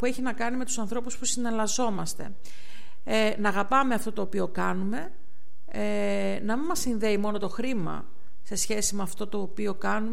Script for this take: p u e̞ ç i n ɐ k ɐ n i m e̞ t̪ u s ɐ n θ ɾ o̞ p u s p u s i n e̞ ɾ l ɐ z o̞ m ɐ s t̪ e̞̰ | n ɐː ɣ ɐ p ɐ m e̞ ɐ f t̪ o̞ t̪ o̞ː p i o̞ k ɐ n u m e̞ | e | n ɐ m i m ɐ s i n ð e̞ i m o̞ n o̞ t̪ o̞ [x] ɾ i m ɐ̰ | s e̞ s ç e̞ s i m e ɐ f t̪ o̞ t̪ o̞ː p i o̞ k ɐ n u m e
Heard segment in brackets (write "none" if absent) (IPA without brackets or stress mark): x